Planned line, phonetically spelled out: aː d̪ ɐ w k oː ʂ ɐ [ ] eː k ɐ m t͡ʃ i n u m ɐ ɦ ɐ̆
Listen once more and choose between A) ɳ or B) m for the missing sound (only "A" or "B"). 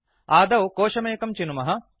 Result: B